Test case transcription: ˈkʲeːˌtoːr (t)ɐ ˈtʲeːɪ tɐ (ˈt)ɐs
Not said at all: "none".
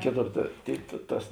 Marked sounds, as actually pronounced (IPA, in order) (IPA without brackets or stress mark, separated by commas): t, t